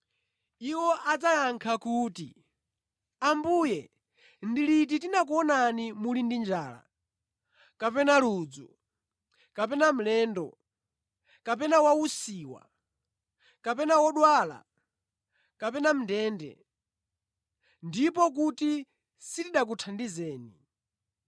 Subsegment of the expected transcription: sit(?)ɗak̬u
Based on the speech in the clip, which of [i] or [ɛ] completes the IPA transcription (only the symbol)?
i